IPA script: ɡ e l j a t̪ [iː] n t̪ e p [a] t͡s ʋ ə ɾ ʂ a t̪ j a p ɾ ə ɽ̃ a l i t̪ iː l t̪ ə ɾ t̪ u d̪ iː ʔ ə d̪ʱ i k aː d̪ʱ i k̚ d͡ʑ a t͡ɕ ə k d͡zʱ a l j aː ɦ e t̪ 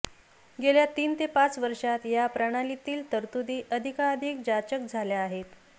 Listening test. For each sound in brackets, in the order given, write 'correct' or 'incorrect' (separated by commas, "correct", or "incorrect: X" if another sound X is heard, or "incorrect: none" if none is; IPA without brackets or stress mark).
correct, correct